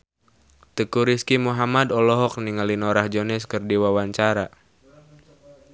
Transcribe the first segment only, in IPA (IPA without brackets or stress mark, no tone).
t̪